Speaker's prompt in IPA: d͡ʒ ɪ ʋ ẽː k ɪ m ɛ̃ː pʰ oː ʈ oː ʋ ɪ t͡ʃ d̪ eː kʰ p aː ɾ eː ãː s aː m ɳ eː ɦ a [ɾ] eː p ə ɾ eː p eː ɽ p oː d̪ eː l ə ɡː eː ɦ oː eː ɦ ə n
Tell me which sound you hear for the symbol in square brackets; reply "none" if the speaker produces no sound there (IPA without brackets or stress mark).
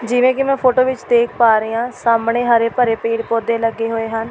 ɾ